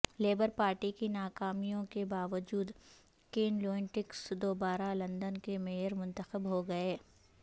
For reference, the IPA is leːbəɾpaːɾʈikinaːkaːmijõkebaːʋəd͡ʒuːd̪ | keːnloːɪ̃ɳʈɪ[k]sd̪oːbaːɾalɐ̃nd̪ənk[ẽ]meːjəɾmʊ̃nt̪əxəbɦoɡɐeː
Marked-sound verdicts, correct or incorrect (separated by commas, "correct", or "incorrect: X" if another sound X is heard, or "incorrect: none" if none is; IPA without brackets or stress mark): correct, incorrect: e